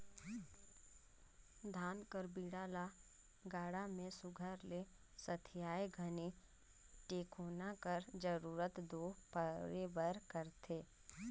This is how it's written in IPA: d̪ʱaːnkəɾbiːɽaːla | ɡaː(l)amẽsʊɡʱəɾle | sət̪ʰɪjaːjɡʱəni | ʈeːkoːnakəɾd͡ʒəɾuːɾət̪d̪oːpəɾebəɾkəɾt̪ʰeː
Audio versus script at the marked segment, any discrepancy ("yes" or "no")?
yes